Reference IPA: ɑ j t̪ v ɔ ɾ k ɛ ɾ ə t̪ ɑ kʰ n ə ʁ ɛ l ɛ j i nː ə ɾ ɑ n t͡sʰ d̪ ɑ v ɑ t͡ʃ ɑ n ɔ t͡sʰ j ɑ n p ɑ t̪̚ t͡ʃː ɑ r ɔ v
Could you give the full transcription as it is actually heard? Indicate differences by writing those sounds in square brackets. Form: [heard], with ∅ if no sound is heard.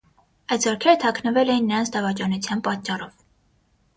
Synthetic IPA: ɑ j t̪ [z] ɔ ɾ [kʰ] ɛ ɾ ə [t̪ʰ] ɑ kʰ n ə [v] ɛ l ɛ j i nː ə ɾ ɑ n t͡sʰ d̪ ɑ v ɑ t͡ʃ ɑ n [u] t͡sʰ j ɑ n p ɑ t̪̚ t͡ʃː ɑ r ɔ v